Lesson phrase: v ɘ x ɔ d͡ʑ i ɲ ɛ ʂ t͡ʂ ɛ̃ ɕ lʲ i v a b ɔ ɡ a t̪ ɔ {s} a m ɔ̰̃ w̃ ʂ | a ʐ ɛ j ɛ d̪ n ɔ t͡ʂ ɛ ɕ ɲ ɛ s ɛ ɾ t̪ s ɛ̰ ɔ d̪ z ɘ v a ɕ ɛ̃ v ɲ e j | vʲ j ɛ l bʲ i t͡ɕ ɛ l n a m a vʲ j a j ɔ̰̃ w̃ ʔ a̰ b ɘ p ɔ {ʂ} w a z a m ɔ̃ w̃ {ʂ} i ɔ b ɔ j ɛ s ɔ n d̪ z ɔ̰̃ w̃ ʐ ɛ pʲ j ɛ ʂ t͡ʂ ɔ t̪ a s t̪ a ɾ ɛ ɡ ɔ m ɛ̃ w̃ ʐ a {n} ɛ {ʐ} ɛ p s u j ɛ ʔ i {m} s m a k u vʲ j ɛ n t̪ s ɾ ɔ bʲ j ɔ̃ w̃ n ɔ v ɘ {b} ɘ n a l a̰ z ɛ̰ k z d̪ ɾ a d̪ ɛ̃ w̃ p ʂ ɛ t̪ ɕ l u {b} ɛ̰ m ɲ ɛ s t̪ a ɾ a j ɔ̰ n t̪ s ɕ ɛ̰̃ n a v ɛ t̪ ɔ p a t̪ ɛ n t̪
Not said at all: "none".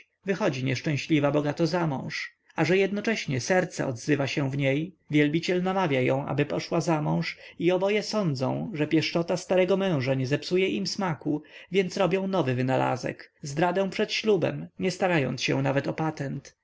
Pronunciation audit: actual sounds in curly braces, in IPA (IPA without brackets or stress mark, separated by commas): z, ʂ, ʂ, ɲ, z, m, v, b